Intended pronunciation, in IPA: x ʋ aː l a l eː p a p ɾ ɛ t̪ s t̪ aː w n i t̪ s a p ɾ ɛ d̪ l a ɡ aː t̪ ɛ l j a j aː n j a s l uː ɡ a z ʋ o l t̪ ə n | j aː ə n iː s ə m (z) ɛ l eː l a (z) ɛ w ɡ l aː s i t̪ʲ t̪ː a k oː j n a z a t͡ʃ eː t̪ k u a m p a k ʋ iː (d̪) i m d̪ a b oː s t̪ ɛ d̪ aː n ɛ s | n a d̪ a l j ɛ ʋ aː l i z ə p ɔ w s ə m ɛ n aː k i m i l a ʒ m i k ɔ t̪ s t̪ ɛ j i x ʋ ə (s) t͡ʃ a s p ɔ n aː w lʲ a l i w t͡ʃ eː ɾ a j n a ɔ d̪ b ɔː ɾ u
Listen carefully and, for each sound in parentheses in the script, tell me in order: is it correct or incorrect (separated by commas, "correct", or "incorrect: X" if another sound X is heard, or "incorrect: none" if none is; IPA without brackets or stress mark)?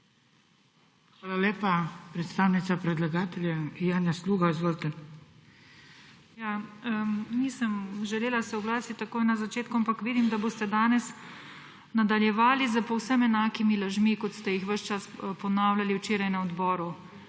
incorrect: ʒ, incorrect: s, correct, incorrect: ʃ